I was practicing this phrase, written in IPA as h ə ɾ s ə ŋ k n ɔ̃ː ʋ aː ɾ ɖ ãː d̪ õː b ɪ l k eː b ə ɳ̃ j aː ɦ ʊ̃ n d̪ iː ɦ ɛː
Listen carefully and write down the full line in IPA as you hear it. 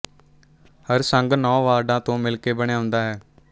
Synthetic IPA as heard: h ə ɾ s ə ŋ ɡ n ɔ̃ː ʋ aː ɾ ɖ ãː t̪ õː m ɪ l k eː b ə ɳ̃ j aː ɦ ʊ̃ n d̪ aː ɦ ɛː